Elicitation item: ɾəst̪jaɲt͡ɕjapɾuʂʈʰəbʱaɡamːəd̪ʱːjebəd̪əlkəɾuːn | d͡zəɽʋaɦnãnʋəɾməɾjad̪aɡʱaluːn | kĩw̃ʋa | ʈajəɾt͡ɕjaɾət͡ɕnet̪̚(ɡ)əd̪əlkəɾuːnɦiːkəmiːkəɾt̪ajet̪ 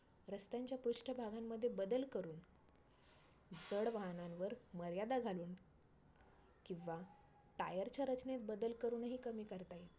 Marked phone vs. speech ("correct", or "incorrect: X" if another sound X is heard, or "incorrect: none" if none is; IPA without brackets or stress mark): incorrect: b